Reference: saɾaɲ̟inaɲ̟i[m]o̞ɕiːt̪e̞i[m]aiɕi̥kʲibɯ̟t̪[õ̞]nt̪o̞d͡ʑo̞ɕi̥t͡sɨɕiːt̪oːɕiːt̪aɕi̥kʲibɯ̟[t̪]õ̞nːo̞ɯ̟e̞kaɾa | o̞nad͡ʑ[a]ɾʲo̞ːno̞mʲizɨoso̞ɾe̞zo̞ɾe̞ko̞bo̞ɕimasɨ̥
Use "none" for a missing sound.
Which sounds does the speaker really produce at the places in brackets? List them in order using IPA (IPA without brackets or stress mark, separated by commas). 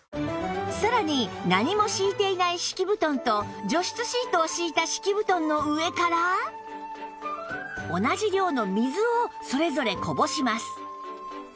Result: m, n, õ̞, t̪, i